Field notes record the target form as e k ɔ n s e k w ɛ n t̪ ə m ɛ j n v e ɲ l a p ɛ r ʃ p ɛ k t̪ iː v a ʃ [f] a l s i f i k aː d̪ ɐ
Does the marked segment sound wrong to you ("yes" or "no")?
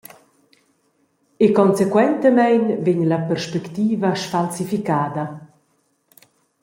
no